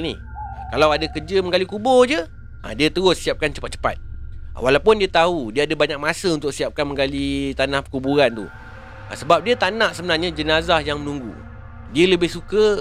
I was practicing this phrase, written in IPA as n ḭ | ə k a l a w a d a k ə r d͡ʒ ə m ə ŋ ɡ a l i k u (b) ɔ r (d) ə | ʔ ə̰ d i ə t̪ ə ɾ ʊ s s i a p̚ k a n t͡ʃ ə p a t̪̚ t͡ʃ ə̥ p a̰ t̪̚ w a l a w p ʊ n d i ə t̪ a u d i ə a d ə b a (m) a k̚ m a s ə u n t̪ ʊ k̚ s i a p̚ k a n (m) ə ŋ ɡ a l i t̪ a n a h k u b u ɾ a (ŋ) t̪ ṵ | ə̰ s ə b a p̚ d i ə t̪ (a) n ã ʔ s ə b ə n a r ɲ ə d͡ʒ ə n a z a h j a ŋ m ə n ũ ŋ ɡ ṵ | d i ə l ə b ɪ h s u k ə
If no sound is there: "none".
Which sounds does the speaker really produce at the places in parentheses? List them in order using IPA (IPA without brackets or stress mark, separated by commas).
b, d͡ʒ, ɲ, m, n, a